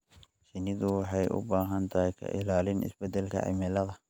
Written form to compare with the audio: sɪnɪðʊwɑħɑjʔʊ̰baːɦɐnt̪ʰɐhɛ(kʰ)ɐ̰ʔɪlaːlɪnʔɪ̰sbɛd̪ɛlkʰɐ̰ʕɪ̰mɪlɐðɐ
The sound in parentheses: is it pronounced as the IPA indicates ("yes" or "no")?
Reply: yes